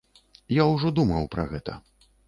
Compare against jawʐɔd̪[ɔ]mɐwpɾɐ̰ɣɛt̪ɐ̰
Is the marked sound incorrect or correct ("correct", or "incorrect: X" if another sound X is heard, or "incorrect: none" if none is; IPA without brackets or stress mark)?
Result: incorrect: u